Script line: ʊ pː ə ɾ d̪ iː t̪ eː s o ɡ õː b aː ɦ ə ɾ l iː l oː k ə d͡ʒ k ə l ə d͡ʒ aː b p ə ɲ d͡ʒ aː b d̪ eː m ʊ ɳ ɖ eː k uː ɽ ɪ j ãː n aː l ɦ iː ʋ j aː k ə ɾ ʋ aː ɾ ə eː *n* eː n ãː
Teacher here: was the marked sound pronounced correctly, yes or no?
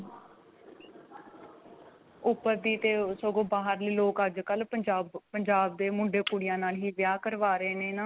yes